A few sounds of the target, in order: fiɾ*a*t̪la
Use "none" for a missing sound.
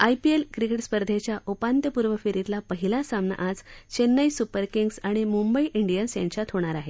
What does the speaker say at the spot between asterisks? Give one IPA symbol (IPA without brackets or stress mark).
i